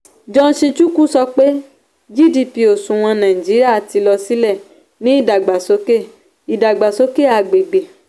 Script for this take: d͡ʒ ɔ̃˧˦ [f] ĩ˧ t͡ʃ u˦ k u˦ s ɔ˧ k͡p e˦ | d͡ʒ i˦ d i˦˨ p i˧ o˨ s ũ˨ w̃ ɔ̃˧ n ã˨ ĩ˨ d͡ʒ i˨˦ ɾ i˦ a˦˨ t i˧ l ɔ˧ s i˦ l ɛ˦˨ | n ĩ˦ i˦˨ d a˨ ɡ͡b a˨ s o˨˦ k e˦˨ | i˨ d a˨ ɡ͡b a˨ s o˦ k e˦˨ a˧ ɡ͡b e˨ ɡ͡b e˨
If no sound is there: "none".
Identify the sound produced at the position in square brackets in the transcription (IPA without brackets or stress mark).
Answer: ʃ